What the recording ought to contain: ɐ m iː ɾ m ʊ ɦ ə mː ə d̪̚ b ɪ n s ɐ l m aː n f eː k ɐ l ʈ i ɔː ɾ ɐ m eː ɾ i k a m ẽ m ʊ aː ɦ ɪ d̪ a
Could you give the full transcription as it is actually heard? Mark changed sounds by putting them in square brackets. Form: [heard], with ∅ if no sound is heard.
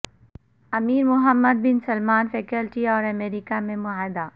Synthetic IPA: ɐ m iː ɾ m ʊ ɦ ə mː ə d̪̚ b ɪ n s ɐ l m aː n f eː k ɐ l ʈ i ɔː ɾ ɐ m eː ɾ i k a m ẽ m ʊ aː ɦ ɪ d̪ a